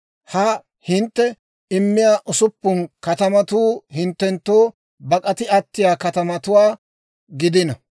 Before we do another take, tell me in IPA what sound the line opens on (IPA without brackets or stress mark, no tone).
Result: h